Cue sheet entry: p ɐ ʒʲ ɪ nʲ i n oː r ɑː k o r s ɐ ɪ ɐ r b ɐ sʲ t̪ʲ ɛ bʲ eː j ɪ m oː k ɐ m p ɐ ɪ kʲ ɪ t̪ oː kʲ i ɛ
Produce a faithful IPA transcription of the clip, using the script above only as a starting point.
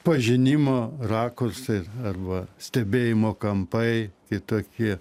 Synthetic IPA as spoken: p ɐ ʒʲ ɪ nʲ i m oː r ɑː k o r s ɐ ɪ ɐ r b ɐ sʲ t̪ʲ ɛ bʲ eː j ɪ m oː k ɐ m p ɐ ɪ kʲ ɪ t̪ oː kʲ i ɛ